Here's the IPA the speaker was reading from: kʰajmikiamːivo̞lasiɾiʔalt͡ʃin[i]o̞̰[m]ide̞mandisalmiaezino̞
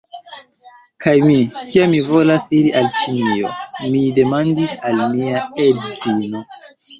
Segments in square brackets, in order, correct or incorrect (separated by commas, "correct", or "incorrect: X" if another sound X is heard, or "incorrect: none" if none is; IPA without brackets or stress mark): correct, correct